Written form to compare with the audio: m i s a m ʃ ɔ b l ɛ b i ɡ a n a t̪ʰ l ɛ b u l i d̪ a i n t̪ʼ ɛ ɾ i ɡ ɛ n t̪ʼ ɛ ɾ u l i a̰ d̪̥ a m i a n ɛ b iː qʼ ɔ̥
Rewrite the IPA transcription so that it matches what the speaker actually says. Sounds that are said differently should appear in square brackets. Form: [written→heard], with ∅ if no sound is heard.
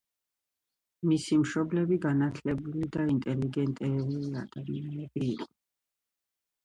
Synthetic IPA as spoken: m i s [a→i] m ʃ ɔ b l ɛ b i ɡ a n a t̪ʰ l ɛ b u l i d̪ a i n t̪ʼ ɛ [ɾ→l] i ɡ ɛ n t̪ʼ ɛ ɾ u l i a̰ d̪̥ a m i a n ɛ b iː qʼ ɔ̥